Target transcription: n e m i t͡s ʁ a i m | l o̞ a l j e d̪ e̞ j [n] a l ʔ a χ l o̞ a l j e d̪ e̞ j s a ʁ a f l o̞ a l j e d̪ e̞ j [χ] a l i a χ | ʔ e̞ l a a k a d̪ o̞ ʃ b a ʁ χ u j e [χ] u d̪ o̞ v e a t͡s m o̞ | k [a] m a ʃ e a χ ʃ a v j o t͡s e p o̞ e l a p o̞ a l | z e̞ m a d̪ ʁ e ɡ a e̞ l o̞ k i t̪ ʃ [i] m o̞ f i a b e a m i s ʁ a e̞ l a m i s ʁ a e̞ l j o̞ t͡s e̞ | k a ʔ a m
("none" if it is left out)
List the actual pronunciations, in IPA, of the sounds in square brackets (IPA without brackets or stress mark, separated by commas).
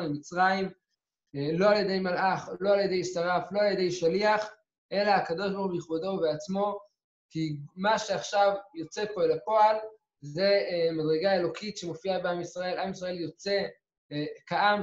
m, ʃ, χ, i, e